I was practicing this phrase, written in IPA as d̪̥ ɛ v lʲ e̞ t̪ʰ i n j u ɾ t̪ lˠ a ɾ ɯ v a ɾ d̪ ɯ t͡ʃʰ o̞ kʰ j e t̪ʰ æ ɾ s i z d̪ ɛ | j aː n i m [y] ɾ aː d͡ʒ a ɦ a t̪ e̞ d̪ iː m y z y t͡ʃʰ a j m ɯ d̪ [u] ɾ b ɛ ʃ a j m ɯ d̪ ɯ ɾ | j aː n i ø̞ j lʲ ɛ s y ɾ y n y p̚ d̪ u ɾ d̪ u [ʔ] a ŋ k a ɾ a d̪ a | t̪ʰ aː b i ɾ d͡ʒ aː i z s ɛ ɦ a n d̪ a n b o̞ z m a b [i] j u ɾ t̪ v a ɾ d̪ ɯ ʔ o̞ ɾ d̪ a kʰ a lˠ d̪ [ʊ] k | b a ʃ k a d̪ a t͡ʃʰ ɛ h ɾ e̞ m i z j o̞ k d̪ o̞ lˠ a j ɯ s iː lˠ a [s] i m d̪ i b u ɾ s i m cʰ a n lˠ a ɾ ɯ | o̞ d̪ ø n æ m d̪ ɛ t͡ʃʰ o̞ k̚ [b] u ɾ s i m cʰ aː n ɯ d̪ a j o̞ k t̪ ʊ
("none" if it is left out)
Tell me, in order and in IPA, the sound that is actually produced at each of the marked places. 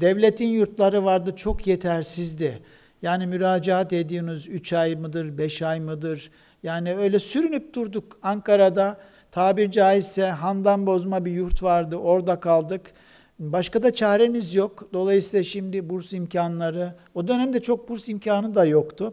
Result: y, ɯ, k, i, ɯ, ʃ, b

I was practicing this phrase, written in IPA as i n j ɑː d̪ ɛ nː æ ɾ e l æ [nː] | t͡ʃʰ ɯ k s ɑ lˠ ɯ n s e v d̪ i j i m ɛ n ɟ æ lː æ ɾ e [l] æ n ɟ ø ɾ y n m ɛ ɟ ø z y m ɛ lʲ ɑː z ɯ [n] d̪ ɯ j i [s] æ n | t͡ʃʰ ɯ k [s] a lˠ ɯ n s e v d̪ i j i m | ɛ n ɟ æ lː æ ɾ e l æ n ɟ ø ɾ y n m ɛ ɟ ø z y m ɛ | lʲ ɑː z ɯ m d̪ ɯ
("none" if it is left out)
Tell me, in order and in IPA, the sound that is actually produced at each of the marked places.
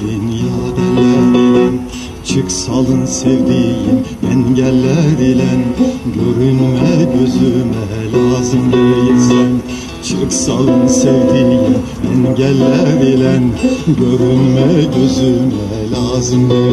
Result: n, l, m, s, s

